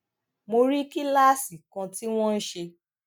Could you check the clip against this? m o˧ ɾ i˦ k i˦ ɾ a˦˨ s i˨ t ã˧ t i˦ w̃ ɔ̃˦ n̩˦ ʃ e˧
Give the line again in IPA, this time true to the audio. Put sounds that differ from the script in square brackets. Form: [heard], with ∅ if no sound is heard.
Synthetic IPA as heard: m o˧ ɾ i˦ k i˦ [l] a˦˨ s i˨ [k] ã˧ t i˦ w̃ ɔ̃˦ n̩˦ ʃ e˧